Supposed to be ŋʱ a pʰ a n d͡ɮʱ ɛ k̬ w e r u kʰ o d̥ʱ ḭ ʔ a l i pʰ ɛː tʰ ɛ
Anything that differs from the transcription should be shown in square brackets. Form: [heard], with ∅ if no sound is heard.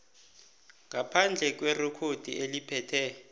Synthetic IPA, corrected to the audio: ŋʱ a pʰ a n d͡ɮʱ ɛ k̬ w e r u kʰ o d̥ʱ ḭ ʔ [e] l i pʰ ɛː tʰ ɛ